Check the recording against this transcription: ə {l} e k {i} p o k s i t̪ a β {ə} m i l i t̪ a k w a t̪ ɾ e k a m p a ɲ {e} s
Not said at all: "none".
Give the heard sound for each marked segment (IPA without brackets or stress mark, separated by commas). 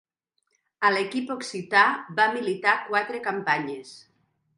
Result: l, i, a, e